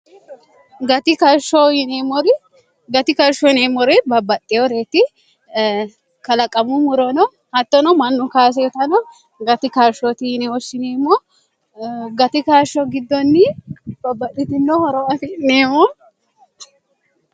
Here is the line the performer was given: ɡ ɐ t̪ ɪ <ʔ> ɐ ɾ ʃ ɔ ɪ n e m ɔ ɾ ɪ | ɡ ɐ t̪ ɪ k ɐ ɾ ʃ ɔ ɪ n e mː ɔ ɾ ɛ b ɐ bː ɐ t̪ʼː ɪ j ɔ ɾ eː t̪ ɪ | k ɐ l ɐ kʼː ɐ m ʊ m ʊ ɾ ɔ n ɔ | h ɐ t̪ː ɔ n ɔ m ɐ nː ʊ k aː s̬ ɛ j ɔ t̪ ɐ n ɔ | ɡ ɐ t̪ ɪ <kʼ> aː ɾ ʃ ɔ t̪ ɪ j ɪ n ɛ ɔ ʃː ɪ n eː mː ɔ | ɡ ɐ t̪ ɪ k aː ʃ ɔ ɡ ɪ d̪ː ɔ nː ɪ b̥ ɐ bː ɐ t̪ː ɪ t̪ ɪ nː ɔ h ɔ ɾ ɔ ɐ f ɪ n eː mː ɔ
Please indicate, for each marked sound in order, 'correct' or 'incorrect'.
incorrect: k, incorrect: k

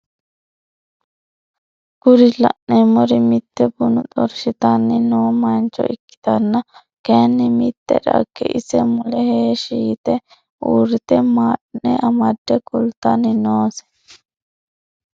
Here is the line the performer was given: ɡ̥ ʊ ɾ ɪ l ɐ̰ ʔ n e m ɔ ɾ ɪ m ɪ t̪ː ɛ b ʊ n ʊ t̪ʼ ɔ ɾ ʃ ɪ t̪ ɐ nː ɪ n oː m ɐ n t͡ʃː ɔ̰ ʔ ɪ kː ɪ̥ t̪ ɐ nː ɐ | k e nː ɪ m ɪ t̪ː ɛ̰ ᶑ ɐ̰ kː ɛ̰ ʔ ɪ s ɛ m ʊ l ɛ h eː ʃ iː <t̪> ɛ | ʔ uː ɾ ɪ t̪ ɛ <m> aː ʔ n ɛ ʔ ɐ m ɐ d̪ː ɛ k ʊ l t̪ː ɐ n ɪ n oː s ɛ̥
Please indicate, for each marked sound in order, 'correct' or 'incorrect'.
correct, correct

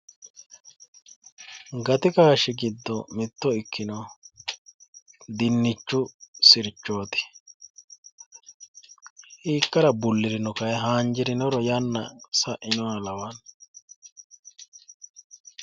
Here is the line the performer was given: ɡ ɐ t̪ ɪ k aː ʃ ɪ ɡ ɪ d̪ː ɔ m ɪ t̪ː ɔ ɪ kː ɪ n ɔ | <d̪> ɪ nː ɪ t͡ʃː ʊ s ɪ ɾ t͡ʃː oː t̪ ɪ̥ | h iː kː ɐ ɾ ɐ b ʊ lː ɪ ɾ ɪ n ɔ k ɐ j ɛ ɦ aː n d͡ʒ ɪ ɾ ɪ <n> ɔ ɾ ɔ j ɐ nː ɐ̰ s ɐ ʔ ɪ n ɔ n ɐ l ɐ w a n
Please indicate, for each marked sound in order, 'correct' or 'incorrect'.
correct, correct

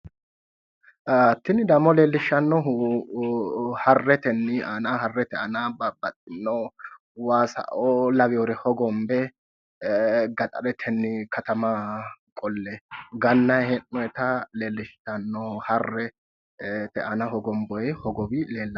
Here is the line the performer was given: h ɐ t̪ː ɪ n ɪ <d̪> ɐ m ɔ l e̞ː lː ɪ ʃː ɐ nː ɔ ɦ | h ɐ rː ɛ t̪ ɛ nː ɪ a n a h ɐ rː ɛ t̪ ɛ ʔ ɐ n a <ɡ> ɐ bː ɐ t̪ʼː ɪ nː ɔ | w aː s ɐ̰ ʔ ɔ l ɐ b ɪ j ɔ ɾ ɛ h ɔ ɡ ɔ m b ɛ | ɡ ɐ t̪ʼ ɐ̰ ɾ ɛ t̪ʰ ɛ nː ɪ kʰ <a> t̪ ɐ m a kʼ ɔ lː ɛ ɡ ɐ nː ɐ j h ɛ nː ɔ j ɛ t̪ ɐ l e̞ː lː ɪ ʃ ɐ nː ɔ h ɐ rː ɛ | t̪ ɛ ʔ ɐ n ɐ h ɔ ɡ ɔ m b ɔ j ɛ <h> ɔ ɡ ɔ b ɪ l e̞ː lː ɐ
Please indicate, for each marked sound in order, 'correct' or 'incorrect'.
correct, incorrect: b, incorrect: ɐ, correct

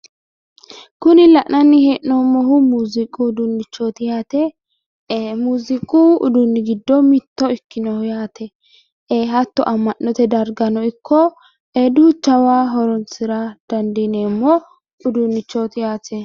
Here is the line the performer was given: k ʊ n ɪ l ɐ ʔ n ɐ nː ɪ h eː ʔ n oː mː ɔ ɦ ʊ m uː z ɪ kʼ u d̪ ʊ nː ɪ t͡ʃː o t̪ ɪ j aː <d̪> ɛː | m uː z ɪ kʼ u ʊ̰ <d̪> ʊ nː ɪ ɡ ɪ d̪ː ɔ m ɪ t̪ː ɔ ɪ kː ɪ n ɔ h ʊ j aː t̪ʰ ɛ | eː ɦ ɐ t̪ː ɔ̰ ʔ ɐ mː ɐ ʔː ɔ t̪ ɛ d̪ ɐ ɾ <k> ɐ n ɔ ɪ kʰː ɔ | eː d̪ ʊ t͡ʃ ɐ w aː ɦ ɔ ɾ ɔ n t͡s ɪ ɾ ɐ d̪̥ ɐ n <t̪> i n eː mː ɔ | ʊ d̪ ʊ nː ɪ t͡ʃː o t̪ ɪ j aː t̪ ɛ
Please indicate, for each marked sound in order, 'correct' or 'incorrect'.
incorrect: t̪, correct, incorrect: ɡ, incorrect: d̪

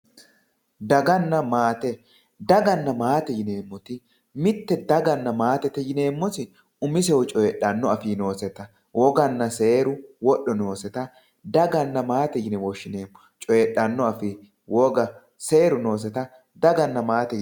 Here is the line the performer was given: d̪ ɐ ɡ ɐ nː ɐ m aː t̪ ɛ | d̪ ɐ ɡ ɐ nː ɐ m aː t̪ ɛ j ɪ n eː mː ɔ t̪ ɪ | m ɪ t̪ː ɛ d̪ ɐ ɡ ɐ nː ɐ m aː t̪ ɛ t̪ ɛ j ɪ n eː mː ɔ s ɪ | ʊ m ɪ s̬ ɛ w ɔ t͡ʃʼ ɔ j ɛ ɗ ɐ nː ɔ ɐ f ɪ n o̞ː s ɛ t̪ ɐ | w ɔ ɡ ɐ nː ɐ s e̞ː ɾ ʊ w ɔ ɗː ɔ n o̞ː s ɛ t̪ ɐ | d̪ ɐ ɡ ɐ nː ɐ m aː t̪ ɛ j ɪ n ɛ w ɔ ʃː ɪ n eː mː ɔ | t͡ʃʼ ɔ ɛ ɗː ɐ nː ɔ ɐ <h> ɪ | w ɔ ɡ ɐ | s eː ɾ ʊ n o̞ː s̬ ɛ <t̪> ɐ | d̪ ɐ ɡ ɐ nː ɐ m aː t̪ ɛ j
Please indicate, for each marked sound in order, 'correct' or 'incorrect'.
incorrect: f, correct

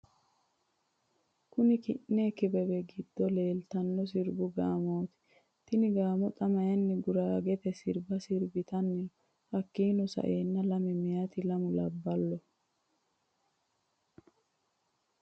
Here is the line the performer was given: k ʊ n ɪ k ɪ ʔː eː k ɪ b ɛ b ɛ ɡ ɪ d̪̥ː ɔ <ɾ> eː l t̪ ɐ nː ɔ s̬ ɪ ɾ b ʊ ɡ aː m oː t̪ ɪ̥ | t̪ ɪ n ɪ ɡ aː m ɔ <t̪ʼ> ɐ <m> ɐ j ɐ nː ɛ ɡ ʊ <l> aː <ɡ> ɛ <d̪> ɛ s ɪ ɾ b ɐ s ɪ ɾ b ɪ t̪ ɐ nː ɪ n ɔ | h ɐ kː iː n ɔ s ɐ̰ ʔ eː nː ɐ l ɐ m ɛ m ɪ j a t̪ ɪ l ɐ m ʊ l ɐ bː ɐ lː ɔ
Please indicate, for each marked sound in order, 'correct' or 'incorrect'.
incorrect: l, correct, correct, incorrect: ɾ, correct, incorrect: t̪

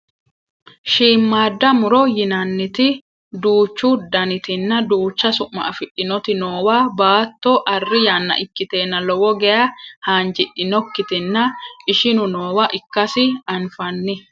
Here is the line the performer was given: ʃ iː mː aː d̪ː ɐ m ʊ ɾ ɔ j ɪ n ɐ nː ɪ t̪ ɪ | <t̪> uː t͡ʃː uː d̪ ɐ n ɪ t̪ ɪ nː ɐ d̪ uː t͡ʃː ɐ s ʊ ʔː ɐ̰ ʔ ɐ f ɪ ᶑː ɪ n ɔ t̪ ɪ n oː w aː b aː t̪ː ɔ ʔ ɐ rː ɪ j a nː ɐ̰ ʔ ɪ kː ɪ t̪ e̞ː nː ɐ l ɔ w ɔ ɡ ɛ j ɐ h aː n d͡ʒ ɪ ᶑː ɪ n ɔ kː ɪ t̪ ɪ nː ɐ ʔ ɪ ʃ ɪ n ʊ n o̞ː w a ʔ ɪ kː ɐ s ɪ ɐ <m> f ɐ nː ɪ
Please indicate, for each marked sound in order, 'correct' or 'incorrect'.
incorrect: d̪, incorrect: n

